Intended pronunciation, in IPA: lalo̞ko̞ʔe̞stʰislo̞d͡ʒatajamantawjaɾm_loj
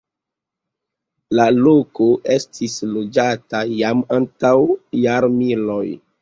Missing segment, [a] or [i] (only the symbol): i